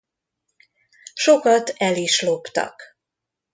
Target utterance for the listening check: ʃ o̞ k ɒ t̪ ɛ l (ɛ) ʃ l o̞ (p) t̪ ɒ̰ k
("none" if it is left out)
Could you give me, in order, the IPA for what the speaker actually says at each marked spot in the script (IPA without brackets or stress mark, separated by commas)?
i, p